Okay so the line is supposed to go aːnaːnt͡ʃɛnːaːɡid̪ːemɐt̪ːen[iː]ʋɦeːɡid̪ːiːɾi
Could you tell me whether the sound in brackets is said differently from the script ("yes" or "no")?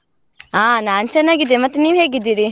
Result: no